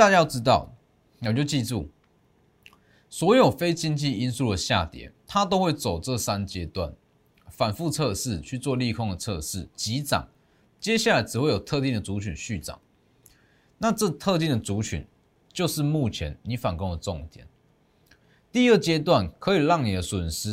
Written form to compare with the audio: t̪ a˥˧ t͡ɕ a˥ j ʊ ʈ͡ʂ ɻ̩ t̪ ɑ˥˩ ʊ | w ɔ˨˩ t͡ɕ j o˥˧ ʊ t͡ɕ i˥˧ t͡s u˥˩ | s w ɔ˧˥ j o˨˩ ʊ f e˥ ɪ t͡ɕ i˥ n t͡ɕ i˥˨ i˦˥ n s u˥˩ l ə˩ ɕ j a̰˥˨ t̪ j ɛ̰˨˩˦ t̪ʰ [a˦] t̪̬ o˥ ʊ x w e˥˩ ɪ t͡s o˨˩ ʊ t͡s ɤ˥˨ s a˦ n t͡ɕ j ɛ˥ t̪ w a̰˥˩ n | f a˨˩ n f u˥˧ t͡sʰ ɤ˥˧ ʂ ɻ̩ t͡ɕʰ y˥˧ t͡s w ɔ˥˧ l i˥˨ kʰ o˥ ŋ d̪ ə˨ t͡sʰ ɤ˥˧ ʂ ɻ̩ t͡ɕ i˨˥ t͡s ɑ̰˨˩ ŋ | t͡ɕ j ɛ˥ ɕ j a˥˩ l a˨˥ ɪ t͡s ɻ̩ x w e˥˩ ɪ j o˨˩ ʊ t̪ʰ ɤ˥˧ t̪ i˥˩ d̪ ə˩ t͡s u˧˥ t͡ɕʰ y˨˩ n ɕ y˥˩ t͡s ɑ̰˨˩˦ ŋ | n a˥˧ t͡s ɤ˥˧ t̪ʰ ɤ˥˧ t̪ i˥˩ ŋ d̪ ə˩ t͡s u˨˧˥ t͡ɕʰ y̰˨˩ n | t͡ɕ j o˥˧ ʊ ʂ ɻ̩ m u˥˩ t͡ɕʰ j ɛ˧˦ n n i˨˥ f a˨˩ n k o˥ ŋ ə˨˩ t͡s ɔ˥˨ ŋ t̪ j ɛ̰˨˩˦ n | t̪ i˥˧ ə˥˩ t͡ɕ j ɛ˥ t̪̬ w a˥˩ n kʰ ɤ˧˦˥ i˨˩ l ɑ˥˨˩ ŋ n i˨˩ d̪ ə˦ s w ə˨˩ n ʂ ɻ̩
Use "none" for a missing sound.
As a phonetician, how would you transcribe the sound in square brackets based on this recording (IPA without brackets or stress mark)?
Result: a˦